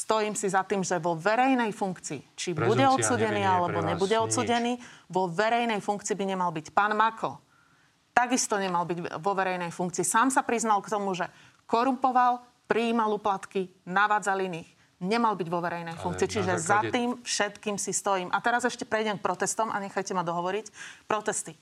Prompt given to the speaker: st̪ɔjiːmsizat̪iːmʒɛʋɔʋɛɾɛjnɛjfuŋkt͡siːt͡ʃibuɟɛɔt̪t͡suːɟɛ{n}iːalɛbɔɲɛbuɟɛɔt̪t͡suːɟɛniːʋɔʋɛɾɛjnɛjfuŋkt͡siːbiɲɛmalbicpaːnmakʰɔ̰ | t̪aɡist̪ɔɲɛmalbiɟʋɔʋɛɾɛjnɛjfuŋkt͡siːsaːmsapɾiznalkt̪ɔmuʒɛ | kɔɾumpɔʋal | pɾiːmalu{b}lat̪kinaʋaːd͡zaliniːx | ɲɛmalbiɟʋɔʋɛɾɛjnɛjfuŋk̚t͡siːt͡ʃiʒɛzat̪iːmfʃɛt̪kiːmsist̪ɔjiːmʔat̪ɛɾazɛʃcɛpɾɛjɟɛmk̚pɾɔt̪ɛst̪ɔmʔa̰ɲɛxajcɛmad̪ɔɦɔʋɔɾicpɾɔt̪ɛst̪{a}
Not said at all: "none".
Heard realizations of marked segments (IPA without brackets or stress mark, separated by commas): n, p, i